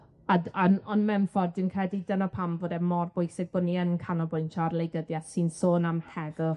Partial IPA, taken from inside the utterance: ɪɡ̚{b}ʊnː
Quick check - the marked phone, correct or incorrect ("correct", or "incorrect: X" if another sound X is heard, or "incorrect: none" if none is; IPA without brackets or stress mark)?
correct